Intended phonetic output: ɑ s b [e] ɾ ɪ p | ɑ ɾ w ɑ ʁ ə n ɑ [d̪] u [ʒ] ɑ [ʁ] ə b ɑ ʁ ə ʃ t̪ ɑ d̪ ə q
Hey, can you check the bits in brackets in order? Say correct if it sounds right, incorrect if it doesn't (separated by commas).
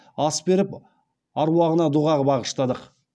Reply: correct, correct, incorrect, correct